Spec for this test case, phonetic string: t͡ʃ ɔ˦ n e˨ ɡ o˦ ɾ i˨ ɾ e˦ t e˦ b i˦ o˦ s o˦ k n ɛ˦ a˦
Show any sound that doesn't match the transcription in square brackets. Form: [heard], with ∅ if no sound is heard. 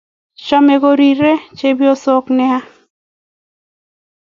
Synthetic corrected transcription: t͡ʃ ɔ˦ [m] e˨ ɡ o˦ ɾ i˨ ɾ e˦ [t͡ʃ] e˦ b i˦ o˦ s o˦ k n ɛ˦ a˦